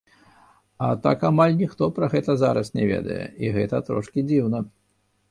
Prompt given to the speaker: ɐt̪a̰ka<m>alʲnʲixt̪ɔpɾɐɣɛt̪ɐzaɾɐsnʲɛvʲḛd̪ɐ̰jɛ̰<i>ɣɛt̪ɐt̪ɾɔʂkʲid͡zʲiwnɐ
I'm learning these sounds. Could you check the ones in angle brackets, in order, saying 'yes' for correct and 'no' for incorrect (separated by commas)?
yes, yes